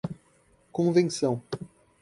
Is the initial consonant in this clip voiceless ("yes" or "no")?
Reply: yes